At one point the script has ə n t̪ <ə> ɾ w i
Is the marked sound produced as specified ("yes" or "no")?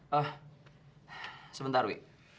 no